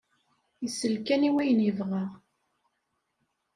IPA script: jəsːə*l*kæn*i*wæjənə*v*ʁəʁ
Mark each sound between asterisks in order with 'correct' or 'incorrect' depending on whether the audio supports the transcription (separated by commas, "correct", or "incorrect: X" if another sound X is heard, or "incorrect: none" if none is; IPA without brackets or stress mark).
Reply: correct, correct, correct